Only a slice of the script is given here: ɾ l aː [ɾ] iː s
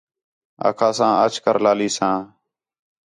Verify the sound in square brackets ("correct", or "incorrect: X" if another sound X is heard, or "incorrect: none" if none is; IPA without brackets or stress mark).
incorrect: l